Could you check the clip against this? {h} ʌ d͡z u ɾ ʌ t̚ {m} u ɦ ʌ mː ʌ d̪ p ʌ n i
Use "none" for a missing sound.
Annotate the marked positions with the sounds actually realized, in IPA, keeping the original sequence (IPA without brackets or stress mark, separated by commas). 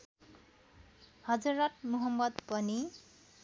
h, m